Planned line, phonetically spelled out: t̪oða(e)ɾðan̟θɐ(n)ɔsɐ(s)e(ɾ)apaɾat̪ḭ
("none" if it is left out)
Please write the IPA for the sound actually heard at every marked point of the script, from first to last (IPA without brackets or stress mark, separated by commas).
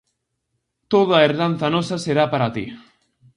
e, n, s, ɾ